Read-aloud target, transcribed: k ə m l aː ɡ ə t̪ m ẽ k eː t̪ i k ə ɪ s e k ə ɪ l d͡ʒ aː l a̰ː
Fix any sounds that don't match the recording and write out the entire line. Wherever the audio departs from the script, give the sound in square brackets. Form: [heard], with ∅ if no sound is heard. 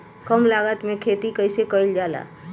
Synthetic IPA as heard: k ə m l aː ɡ ə t̪ m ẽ [kʰ] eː t̪ i k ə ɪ s e k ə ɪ l d͡ʒ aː l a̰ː